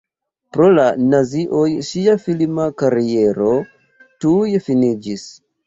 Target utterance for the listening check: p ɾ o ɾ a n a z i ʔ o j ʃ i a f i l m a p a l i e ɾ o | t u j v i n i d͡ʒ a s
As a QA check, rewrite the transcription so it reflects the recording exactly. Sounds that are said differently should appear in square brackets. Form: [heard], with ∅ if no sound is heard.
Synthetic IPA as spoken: p ɾ o [l] a n a z i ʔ o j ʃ i a f i l m a [k] a [ɾ] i e ɾ o | t u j [f] i n i d͡ʒ [i] s